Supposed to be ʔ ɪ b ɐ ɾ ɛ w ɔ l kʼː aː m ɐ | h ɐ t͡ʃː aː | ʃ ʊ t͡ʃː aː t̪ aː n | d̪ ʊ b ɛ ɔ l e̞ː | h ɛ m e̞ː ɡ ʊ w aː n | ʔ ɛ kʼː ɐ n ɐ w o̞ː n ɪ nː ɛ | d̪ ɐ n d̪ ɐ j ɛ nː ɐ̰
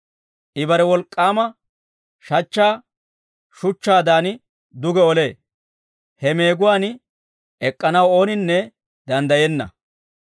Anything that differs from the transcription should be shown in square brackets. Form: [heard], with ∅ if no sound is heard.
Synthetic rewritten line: ʔ ɪ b ɐ ɾ ɛ w ɔ l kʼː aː m ɐ | [ʃ] ɐ t͡ʃː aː | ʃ ʊ t͡ʃː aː [d̪] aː n | d̪ ʊ [ɡ] ɛ ɔ l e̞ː | h ɛ m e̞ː ɡ ʊ w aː n | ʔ ɛ kʼː ɐ n ɐ w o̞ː n ɪ nː ɛ | d̪ ɐ n d̪ ɐ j ɛ nː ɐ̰

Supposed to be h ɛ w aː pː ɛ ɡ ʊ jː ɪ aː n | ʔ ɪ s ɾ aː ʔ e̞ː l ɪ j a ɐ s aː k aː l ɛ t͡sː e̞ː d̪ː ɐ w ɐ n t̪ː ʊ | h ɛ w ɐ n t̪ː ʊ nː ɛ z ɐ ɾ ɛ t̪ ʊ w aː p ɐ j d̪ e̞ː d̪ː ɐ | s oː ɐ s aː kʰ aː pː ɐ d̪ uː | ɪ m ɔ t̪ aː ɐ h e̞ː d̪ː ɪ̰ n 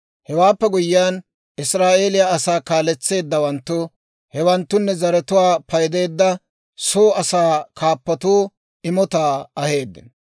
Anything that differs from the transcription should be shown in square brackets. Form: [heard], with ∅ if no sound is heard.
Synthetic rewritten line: h ɛ w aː pː ɛ ɡ ʊ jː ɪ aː n | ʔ ɪ s ɾ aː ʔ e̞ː l ɪ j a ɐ s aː k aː l ɛ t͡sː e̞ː d̪ː ɐ w ɐ n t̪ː ʊ | h ɛ w ɐ n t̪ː ʊ nː ɛ z ɐ ɾ ɛ t̪ ʊ w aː p ɐ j d̪ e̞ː d̪ː ɐ | s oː ɐ s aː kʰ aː pː ɐ [t̪] uː | ɪ m ɔ t̪ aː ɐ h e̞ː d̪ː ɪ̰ n

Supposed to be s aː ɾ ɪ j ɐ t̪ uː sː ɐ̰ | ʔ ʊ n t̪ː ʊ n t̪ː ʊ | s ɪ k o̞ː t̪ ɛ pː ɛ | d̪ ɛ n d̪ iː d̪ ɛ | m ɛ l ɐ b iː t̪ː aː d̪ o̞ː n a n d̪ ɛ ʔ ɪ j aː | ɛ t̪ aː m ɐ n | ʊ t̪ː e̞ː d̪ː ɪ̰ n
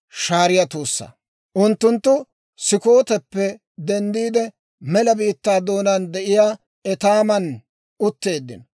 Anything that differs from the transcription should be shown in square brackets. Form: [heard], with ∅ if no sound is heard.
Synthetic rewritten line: [ʃ] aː ɾ ɪ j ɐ t̪ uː sː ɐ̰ | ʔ ʊ n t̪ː ʊ n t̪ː ʊ | s ɪ k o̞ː t̪ ɛ pː ɛ | d̪ ɛ n d̪ iː d̪ ɛ | m ɛ l ɐ b iː t̪ː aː d̪ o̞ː n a n d̪ ɛ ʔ ɪ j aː | ɛ t̪ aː m ɐ n | ʊ t̪ː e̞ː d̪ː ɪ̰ n

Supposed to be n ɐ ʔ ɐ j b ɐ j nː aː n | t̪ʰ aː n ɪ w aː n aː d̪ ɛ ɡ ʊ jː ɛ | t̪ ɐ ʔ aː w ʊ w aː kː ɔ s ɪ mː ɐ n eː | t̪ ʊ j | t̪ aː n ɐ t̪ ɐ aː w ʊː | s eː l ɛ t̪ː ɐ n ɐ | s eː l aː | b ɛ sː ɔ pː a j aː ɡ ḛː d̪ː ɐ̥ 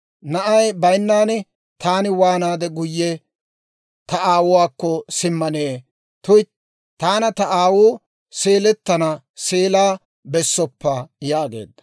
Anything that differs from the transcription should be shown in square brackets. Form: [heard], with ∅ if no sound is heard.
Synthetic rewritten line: n ɐ ʔ ɐ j b ɐ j nː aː n | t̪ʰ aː n ɪ w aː n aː d̪ ɛ ɡ ʊ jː ɛ | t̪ ɐ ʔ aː w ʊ w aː kː ɔ s ɪ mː ɐ n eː | t̪ ʊ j | t̪ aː n ɐ t̪ ɐ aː w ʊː | s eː l ɛ t̪ː ɐ n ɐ | s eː l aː | b ɛ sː ɔ pː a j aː ɡ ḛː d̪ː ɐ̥

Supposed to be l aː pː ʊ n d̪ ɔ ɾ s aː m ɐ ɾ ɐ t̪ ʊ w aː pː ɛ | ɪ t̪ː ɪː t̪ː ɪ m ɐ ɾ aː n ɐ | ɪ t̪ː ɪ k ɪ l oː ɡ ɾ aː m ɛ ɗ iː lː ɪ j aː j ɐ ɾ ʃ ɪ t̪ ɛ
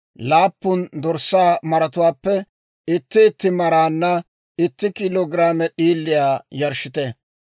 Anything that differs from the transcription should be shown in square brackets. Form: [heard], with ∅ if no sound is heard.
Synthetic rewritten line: l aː pː ʊ n d̪ ɔ ɾ s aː m ɐ ɾ ɐ t̪ ʊ w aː pː ɛ | ɪ t̪ː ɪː t̪ː ɪ m ɐ ɾ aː [nː] ɐ | ɪ t̪ː ɪ k ɪ l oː ɡ ɾ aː m ɛ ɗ iː lː ɪ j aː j ɐ ɾ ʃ ɪ t̪ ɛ

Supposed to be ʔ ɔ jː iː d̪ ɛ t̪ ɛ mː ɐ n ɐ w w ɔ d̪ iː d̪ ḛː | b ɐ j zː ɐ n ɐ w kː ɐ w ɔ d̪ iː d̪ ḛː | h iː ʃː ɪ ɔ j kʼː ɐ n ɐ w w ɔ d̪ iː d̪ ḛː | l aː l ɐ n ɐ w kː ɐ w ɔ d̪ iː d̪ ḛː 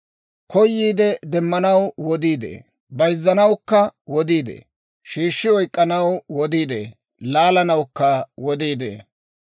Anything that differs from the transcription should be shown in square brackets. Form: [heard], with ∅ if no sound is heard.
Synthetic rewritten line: [k] ɔ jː iː d̪ ɛ [d̪] ɛ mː ɐ n ɐ w w ɔ d̪ iː d̪ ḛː | b ɐ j zː ɐ n ɐ w kː ɐ w ɔ d̪ iː d̪ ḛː | [ʃ] iː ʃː ɪ ɔ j kʼː ɐ n ɐ w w ɔ d̪ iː d̪ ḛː | l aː l ɐ n ɐ w kː ɐ w ɔ d̪ iː d̪ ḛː

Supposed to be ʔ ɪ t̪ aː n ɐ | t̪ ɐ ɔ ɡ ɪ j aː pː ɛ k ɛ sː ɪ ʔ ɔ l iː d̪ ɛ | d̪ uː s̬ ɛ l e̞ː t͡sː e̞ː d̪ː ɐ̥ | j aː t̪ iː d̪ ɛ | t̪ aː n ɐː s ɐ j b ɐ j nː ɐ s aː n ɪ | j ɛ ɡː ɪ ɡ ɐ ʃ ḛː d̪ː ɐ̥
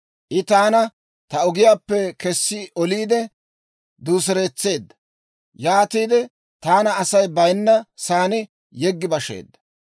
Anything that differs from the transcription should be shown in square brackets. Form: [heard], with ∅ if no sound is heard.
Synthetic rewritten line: ʔ ɪ t̪ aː n ɐ | t̪ ɐ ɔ ɡ ɪ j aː pː ɛ k ɛ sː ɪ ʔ ɔ l iː d̪ ɛ | d̪ uː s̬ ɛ [ɾ] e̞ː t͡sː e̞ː d̪ː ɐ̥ | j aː t̪ iː d̪ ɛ | t̪ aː n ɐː s ɐ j b ɐ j nː ɐ s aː n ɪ | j ɛ ɡː ɪ [b] ɐ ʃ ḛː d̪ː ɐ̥

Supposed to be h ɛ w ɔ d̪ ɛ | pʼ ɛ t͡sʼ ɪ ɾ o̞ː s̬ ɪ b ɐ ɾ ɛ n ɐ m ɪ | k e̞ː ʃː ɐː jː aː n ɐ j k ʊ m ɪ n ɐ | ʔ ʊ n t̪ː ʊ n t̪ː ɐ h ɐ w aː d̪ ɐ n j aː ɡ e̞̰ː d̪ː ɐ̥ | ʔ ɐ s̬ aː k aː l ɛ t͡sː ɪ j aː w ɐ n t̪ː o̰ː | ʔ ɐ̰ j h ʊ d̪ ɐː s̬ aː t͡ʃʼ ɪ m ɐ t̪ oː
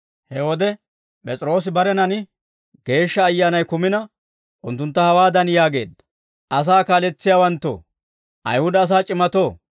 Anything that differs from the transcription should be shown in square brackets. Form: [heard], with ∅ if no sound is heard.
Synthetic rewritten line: h ɛ w ɔ d̪ ɛ | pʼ ɛ t͡sʼ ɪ ɾ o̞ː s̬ ɪ b ɐ ɾ ɛ n ɐ [n] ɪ | [ɡ] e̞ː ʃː ɐː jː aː n ɐ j k ʊ m ɪ n ɐ | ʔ ʊ n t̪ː ʊ n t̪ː ɐ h ɐ w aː d̪ ɐ n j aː ɡ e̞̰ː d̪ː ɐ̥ | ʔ ɐ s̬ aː k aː l ɛ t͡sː ɪ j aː w ɐ n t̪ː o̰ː | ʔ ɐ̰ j h ʊ d̪ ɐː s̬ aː t͡ʃʼ ɪ m ɐ t̪ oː

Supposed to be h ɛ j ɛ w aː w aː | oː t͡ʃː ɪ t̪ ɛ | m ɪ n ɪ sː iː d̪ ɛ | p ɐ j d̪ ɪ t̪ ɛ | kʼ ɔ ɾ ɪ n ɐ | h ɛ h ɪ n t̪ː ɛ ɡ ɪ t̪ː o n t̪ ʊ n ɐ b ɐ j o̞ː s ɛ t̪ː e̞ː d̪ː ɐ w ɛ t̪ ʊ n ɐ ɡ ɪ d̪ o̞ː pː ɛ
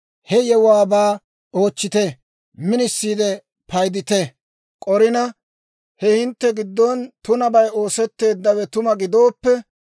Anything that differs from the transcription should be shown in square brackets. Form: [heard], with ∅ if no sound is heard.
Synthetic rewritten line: h ɛ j ɛ w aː [b] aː | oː t͡ʃː ɪ t̪ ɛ | m ɪ n ɪ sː iː d̪ ɛ | p ɐ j d̪ ɪ t̪ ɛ | kʼ ɔ ɾ ɪ n ɐ | h ɛ h ɪ n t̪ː ɛ ɡ ɪ [d̪ː] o n t̪ ʊ n ɐ b ɐ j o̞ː s ɛ t̪ː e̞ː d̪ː ɐ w ɛ t̪ ʊ [m] ɐ ɡ ɪ d̪ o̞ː pː ɛ

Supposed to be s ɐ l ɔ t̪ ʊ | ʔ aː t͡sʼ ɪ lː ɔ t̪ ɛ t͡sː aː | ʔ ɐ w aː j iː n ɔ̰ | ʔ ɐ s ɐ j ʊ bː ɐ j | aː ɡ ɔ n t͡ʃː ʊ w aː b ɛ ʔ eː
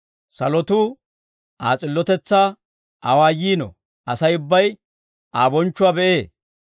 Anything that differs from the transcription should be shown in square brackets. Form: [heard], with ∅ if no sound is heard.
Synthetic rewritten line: s ɐ l ɔ t̪ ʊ | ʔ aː t͡sʼ ɪ lː ɔ t̪ ɛ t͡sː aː | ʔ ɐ w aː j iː n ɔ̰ | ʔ ɐ s ɐ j ʊ bː ɐ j | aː [b] ɔ n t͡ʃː ʊ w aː b ɛ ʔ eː

